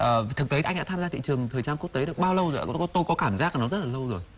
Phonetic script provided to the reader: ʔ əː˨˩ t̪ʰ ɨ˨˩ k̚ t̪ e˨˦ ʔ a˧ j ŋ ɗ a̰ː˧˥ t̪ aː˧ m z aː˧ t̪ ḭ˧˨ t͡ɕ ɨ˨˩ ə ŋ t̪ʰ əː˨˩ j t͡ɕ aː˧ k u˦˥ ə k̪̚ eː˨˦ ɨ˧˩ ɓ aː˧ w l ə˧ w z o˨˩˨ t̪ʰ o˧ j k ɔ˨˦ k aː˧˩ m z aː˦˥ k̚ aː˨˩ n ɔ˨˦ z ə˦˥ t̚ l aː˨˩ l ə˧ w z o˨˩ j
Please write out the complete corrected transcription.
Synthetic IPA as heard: ʔ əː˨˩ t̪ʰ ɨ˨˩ k̚ t̪ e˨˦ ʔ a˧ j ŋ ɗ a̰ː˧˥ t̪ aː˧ m z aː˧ t̪ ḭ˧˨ t͡ɕ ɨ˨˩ ə ŋ t̪ʰ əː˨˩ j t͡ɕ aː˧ k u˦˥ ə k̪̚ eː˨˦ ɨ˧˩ ɓ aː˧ w l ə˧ w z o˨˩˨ t̪ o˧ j k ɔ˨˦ k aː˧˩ m z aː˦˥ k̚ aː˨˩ n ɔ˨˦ z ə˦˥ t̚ l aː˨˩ l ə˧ w z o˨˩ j

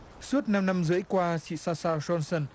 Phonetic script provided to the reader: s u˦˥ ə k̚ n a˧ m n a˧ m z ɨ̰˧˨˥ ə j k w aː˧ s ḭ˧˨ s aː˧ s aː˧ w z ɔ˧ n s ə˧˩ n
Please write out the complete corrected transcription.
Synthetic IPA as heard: s u˦˥ ə t̚ n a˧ m n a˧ m z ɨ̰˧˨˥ ə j k w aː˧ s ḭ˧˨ s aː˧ s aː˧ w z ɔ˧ n s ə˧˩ n

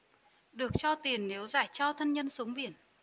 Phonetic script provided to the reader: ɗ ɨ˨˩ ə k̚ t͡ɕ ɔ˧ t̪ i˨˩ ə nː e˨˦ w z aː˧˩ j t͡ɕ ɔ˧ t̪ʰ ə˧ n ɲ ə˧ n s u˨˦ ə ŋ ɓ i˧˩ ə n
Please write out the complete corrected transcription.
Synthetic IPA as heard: ɗ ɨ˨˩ ə k̚ t͡ɕ ɔ˧ t̪ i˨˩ ə nː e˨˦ w z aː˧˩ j t͡ɕ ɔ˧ t̪ʰ ə˧ n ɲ ə˧ n s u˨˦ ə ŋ ɓ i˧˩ ə n

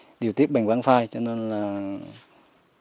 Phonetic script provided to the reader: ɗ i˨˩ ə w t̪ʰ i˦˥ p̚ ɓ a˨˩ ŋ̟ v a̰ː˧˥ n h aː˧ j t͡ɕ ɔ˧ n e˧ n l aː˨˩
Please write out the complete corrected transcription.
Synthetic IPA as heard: ɗ i˨˩ ə w t̪ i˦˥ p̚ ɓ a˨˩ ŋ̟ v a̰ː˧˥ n f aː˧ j t͡ɕ ɔ˧ n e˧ n l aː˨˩

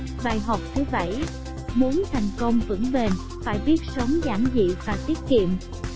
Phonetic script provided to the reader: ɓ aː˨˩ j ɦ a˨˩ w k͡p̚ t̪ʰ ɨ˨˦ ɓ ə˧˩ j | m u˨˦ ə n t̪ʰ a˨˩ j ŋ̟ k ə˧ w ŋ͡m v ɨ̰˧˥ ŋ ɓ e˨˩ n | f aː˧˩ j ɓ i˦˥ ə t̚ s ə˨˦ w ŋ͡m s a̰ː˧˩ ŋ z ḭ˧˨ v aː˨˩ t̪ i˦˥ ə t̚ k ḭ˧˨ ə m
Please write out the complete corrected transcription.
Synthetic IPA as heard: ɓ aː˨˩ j ɦ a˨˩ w k͡p̚ t̪ʰ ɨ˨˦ ɓ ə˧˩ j | m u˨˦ ə n t̪ʰ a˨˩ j ŋ̟ k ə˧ w ŋ͡m v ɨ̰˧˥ ŋ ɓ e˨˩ n | f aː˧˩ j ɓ i˦˥ ə t̚ s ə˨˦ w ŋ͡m z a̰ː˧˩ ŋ z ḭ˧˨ v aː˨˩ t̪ i˦˥ ə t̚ k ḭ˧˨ ə m

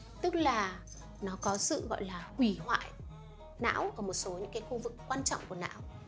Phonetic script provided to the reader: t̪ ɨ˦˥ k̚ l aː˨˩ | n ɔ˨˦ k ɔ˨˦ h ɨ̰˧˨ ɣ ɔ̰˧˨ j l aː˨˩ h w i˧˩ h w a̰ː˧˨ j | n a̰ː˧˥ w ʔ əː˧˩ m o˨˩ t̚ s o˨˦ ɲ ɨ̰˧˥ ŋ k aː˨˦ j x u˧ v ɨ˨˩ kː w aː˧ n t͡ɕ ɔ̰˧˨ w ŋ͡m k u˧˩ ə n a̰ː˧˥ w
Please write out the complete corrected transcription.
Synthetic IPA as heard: t̪ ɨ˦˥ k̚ l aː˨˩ | n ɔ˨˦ k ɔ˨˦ s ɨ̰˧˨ ɣ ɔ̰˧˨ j l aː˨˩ h w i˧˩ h w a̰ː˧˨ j | n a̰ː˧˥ w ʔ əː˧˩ m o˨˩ t̚ s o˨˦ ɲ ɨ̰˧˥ ŋ k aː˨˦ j x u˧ v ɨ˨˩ kː w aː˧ n t͡ɕ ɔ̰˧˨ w ŋ͡m k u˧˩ ə n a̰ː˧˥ w

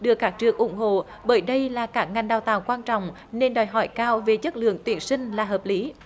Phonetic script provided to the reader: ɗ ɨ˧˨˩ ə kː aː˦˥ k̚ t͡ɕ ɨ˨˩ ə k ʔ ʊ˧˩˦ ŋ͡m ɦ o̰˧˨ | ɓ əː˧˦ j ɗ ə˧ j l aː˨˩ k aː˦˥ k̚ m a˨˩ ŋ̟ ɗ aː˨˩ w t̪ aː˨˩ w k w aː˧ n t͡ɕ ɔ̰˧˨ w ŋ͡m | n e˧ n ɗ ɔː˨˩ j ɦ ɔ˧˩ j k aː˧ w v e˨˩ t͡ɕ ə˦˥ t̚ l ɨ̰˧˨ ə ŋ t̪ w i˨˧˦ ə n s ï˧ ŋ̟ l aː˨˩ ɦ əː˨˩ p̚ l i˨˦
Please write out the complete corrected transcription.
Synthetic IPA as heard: ɗ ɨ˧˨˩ ə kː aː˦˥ k̚ t͡ɕ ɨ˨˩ ə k ʔ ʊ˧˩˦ ŋ͡m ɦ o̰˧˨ | ɓ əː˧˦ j ɗ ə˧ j l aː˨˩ k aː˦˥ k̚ ŋ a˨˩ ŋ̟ ɗ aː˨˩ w t̪ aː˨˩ w k w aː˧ n t͡ɕ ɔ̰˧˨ w ŋ͡m | n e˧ n ɗ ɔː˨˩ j ɦ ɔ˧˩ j k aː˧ w v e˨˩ t͡ɕ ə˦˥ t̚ l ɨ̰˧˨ ə ŋ t̪ w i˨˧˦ ə n s ï˧ ŋ̟ l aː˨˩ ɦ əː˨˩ p̚ l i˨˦

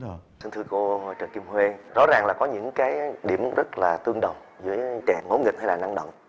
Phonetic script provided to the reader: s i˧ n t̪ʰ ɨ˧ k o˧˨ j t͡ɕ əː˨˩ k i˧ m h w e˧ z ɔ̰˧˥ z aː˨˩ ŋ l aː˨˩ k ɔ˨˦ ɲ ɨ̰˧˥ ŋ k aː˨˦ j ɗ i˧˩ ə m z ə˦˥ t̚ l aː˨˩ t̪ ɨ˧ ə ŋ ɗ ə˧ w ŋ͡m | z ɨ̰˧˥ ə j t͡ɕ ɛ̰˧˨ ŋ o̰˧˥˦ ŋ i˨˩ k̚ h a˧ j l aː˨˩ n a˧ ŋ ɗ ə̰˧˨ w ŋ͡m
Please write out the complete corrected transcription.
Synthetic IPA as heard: s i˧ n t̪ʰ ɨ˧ k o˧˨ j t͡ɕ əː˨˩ k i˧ m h w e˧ z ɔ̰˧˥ z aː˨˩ ŋ l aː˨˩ k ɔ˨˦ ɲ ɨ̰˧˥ ŋ k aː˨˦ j ɗ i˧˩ ə m z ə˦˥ t̚ l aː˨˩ t̪ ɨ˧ ə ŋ ɗ ə˨˩ w ŋ͡m | z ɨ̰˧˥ ə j t͡ɕ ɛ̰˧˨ ŋ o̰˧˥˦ ŋ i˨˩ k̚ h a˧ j l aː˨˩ n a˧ ŋ ɗ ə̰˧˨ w ŋ͡m

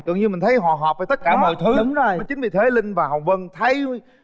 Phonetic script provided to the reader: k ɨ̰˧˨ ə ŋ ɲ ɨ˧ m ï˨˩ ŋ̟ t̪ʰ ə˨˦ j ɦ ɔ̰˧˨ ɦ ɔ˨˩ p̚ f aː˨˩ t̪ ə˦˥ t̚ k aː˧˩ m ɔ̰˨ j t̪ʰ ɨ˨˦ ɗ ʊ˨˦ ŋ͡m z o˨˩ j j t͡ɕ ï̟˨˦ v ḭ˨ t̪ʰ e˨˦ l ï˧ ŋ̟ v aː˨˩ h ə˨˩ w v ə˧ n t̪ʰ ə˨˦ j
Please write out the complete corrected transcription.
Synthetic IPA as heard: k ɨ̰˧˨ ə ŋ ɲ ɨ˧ m ï˨˩ ŋ̟ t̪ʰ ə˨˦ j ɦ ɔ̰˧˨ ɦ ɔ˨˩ p̚ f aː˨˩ t̪ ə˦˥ t̚ k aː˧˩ m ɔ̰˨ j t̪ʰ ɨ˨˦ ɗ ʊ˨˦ ŋ͡m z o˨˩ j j t͡ɕ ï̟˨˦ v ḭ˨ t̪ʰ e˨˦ l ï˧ ŋ̟ v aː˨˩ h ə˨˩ w v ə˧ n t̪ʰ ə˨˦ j

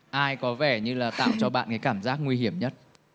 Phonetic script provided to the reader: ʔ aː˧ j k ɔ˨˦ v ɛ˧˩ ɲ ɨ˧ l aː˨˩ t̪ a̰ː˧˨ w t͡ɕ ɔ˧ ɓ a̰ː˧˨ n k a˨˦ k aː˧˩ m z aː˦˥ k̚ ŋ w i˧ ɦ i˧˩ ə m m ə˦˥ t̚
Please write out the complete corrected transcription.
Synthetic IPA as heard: ʔ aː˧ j k ɔ˨˦ v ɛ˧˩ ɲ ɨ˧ l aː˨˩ t̪ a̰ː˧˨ w t͡ɕ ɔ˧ ɓ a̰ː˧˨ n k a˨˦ k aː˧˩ m z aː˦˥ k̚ ŋ w i˧ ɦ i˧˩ ə m ɲ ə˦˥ t̚

